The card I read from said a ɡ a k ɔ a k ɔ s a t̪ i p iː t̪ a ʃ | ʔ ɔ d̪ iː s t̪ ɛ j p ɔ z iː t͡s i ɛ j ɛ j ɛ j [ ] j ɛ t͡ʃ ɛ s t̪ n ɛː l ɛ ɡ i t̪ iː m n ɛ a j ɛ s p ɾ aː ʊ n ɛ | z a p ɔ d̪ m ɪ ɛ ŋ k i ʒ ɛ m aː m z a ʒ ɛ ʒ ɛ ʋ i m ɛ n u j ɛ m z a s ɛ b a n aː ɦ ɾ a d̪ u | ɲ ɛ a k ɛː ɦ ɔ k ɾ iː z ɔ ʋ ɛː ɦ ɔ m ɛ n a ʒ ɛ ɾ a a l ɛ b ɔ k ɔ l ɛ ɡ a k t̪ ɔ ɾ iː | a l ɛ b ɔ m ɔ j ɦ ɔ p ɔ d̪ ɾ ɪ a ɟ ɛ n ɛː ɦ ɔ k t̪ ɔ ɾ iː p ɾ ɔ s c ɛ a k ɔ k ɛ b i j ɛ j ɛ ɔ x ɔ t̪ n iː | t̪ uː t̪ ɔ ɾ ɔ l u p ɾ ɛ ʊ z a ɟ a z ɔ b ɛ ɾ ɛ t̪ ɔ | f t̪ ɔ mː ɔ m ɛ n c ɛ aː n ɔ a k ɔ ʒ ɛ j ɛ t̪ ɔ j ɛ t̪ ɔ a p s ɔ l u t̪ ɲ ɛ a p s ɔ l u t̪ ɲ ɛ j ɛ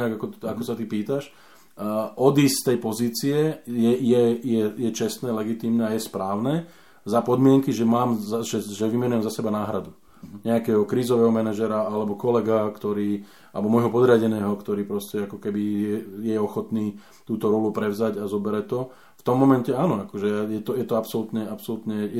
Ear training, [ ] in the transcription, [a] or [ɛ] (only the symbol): ɛ